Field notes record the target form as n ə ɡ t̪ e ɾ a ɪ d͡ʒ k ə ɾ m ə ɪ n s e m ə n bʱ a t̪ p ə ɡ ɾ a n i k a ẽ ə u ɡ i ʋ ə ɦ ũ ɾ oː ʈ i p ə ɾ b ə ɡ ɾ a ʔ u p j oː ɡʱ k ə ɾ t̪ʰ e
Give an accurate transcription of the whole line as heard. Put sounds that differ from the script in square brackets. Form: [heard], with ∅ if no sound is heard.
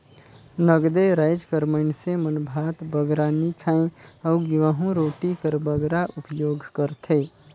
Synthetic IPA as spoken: n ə ɡ [d̪] e ɾ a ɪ d͡ʒ k ə ɾ m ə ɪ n s e m ə n bʱ a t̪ [b] ə ɡ ɾ a n i [kʰ] a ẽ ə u ɡ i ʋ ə ɦ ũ ɾ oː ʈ i [k] ə ɾ b ə ɡ ɾ a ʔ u p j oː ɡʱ k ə ɾ t̪ʰ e